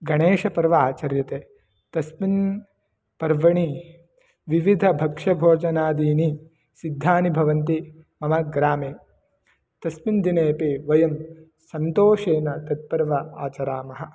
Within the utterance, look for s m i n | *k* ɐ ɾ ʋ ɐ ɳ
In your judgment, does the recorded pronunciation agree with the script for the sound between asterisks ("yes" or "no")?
no